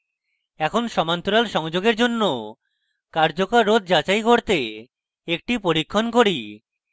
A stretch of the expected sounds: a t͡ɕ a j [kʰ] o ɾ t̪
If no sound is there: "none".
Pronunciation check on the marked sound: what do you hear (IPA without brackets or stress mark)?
k